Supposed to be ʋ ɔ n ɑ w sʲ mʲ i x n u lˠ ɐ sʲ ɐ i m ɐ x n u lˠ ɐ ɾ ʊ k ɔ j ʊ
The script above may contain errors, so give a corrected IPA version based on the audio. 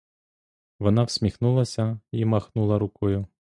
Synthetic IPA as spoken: ʋ ɔ n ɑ w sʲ mʲ i x n u lˠ ɐ sʲ ɐ i m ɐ x n u lˠ ɐ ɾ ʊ k ɔ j ʊ